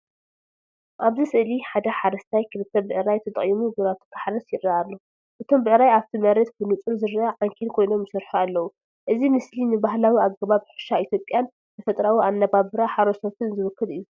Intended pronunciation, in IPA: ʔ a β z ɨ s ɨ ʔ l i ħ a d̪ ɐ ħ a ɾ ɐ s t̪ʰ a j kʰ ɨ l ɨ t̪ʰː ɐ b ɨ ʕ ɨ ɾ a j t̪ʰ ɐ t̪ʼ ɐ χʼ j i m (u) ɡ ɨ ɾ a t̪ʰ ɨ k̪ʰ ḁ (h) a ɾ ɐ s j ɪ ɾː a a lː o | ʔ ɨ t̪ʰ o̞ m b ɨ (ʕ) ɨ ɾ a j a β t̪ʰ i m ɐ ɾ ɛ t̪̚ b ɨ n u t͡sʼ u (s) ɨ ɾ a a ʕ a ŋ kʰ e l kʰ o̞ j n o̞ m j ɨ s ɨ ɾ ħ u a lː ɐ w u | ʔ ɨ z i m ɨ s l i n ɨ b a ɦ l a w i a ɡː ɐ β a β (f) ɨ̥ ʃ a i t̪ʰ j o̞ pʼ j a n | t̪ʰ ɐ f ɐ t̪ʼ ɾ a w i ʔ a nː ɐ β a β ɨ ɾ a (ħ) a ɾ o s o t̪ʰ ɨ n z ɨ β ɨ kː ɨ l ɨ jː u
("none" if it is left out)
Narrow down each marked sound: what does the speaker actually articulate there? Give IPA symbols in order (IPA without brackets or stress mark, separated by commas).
u, ħ, ʕ, z, ħ, ħ